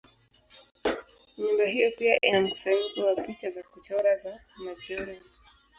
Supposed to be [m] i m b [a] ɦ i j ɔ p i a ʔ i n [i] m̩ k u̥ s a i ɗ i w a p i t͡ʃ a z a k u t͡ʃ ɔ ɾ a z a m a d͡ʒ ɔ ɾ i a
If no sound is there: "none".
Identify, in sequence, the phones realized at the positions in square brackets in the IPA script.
ɲ, a, a

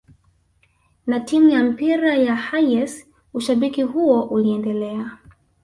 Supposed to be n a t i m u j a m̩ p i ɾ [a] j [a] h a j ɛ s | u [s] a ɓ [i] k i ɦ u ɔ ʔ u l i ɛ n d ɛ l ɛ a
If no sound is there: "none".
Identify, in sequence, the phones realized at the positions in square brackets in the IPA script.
a, a, ʃ, i

